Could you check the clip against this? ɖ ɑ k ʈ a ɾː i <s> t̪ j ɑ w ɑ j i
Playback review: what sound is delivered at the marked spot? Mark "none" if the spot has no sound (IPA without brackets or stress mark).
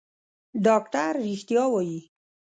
x